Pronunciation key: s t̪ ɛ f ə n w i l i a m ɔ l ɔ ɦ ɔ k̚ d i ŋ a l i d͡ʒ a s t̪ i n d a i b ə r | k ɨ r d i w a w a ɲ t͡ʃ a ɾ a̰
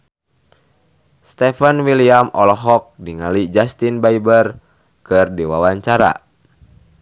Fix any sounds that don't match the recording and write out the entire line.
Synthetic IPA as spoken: s t̪ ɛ f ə n w i l i a m ɔ l ɔ ɦ ɔ k̚ d i ŋ a l i d͡ʒ a s t̪ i n b a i b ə r | k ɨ r d i w a w a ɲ t͡ʃ a ɾ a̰